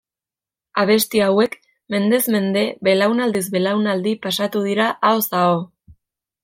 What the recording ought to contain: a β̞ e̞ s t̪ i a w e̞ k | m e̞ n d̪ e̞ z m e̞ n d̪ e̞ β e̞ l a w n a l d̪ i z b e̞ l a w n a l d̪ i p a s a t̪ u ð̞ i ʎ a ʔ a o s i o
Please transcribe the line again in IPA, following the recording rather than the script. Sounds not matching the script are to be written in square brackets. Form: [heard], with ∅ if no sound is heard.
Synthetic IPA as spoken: a β̞ e̞ s t̪ i a w e̞ k | m e̞ n d̪ e̞ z m e̞ n d̪ e̞ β e̞ l a w n a l d̪ i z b e̞ l a w n a l d̪ i p a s a t̪ u ð̞ i [ɾ] a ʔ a o s [a] o